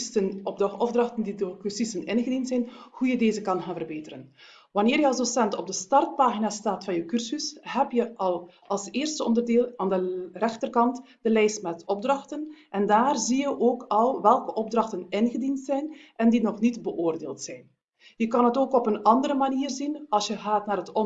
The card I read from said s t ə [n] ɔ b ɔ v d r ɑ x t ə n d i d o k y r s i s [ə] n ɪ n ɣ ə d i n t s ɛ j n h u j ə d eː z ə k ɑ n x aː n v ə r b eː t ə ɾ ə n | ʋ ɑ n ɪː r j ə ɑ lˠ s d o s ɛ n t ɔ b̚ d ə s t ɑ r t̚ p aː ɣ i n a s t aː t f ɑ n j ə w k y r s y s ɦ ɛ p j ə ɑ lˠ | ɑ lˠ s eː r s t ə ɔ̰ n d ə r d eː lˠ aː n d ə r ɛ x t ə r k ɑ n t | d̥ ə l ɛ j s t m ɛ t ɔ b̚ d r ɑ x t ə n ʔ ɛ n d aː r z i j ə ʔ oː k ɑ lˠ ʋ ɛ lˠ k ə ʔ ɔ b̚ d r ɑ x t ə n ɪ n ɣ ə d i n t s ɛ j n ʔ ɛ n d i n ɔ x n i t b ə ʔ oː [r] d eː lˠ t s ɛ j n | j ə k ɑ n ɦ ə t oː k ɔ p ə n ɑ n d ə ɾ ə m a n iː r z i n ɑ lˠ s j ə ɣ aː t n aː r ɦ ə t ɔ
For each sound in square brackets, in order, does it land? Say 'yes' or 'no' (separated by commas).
yes, yes, yes